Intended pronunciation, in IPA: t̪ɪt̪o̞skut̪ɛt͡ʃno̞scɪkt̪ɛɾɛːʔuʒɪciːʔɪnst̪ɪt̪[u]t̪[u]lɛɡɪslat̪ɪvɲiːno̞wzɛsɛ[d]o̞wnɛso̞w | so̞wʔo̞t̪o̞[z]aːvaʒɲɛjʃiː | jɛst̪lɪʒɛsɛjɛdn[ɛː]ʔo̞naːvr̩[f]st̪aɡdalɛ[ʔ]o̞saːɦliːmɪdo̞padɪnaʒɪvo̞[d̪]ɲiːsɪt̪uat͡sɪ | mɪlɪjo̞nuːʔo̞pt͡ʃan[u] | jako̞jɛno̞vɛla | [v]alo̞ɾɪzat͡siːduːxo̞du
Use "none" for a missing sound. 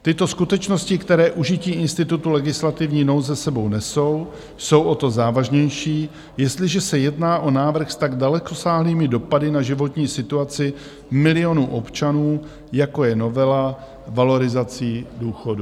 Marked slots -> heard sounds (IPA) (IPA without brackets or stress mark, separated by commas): u, u, b, z, aː, x, k, t̪, uː, v